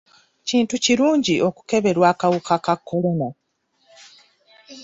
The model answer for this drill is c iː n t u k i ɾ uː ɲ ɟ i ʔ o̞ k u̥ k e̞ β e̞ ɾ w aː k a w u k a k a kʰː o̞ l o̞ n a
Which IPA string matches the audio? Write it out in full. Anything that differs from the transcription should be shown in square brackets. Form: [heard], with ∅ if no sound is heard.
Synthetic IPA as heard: c iː n t u [c] i ɾ uː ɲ ɟ i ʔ o̞ k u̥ k e̞ β e̞ ɾ w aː k a w u k a k a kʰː o̞ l o̞ n a